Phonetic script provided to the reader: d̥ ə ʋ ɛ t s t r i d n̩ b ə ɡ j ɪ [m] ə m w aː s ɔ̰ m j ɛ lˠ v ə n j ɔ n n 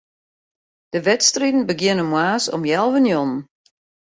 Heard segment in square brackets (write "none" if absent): n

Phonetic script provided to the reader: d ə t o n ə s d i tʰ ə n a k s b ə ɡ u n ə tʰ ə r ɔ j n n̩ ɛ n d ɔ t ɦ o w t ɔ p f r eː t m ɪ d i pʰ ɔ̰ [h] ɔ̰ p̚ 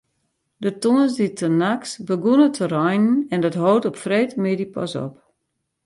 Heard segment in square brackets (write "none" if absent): s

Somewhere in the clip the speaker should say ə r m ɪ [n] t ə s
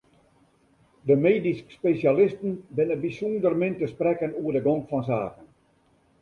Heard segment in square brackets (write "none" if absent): n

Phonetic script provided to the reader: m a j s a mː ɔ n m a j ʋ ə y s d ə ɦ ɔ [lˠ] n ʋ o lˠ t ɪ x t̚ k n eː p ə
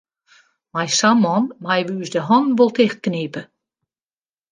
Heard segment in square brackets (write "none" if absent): none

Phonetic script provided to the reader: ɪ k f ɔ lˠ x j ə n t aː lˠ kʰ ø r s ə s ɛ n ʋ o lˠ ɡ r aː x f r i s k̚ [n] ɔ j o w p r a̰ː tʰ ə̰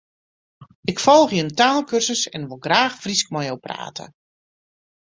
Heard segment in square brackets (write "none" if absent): m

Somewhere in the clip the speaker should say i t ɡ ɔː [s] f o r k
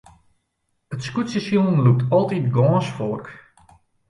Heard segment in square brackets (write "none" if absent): s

